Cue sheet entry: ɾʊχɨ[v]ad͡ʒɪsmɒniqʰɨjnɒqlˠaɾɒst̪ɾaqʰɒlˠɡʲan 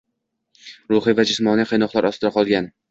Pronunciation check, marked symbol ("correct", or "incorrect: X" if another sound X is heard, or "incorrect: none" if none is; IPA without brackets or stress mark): correct